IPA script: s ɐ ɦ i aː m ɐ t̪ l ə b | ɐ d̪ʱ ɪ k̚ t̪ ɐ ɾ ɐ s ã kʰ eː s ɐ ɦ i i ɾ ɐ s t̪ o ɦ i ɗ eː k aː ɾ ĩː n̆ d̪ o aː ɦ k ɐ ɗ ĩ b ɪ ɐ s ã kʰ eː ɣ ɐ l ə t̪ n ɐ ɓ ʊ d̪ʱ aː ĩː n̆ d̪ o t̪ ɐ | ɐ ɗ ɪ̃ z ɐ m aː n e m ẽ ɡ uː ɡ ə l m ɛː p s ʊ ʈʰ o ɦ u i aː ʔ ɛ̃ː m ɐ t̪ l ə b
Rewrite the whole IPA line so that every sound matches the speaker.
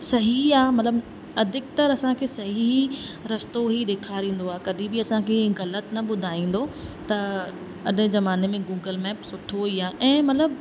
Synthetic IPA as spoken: s ɐ ɦ i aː m ɐ t̪ l ə b | ɐ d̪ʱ ɪ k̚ t̪ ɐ ɾ ɐ s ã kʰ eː s ɐ ɦ i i ɾ ɐ s t̪ o ɦ i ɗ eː kʰ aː ɾ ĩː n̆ d̪ o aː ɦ k ɐ ɗ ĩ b ɪ ɐ s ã kʰ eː ɣ ɐ l ə t̪ n ɐ ɓ ʊ d̪ʱ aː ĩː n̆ d̪ o t̪ ɐ | ɐ ɗ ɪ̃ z ɐ m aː n e m ẽ ɡ uː ɡ ə l m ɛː p s ʊ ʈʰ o ɦ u i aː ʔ ɛ̃ː m ɐ t̪ l ə b